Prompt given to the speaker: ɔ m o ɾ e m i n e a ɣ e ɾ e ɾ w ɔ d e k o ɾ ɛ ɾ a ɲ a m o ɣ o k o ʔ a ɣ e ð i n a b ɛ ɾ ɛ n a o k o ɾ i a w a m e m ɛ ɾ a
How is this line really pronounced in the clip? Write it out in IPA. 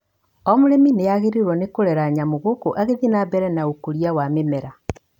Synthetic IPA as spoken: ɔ m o ɾ e m i n e a ɣ e ɾ e ɾ w ɔ n e k o ɾ ɛ ɾ a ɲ a m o ɣ o k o ʔ a ɣ e ð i n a b ɛ ɾ ɛ n a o k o ɾ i a w a m e m ɛ ɾ a